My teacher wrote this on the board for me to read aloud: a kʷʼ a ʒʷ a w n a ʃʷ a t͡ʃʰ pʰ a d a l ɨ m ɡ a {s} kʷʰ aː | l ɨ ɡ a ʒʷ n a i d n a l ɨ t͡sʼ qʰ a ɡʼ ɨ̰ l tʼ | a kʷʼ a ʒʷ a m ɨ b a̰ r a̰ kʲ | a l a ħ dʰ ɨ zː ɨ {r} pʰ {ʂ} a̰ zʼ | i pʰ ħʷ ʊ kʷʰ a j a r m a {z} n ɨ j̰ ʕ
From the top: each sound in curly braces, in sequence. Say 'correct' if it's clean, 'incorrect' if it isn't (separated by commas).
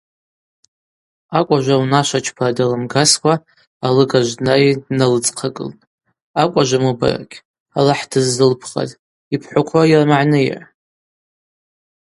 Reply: correct, incorrect, incorrect, incorrect